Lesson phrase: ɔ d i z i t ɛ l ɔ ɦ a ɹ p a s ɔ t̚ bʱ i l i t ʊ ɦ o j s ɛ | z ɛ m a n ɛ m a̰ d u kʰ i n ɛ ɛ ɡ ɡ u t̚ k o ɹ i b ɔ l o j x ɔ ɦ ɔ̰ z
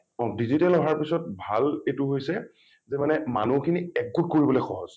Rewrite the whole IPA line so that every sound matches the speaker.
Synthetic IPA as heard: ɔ d i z i t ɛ l ɔ ɦ a ɹ p i s ɔ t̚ bʱ a l e t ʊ ɦ o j s ɛ | z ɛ m a n ɛ m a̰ n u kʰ i n i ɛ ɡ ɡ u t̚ k o ɹ i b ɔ l o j x ɔ ɦ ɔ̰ z